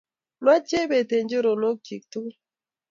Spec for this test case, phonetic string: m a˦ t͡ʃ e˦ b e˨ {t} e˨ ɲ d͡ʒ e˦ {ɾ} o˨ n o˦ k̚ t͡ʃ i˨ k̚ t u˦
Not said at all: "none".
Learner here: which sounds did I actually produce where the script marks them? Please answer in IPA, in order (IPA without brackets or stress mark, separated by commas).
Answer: t, ɾ